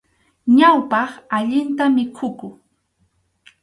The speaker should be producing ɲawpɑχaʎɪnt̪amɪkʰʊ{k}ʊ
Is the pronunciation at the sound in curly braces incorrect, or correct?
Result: correct